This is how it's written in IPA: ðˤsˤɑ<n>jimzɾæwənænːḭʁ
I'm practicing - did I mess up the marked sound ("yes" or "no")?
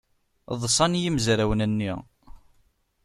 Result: no